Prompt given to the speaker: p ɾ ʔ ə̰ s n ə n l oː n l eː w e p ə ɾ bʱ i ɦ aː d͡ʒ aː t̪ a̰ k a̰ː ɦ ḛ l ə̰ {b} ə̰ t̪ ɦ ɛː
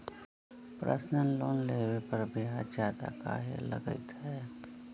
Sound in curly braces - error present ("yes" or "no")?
yes